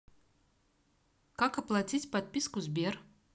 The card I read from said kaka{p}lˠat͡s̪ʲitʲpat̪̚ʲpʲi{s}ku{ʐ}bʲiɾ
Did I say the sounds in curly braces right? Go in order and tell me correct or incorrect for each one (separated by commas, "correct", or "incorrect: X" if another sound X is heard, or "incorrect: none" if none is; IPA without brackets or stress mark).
correct, correct, incorrect: z